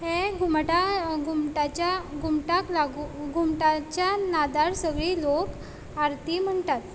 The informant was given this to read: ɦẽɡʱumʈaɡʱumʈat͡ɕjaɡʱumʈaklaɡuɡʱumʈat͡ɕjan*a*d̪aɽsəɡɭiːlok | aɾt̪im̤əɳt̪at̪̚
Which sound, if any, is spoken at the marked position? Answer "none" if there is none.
a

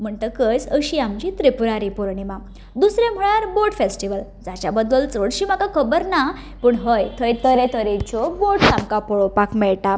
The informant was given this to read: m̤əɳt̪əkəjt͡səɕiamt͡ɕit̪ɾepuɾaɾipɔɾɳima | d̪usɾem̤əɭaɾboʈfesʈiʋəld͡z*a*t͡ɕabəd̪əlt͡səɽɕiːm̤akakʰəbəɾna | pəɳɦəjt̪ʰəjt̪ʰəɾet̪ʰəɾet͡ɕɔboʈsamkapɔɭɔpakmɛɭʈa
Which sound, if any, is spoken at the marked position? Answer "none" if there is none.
a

